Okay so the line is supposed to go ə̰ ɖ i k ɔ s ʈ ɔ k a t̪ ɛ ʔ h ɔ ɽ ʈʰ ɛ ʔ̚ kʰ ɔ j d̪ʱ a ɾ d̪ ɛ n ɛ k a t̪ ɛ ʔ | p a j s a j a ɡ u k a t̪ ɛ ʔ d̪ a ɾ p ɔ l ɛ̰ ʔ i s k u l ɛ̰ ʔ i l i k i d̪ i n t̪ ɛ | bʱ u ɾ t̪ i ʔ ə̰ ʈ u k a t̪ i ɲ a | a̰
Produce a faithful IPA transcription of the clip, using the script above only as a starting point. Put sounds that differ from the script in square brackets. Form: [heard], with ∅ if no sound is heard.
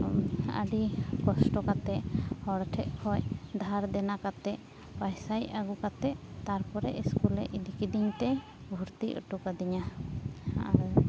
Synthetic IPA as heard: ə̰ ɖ i k ɔ s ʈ ɔ k a t̪ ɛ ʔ h ɔ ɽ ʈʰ ɛ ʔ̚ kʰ ɔ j d̪ʱ a ɾ d̪ ɛ n [a] k a t̪ ɛ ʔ | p a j s a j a ɡ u k a t̪ ɛ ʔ [t̪] a ɾ p ɔ [ɾ] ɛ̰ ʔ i s k u l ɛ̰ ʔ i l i k i d̪ i [ɲ] t̪ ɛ | bʱ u ɾ t̪ i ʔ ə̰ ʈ u k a [d̪] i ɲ a | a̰